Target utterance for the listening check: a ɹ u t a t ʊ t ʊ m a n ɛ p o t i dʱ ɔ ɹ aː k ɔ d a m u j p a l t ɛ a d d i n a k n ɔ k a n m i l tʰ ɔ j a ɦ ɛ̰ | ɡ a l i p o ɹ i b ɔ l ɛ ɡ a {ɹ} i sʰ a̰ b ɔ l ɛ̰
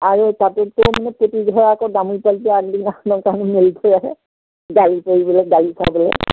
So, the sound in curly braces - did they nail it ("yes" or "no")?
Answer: no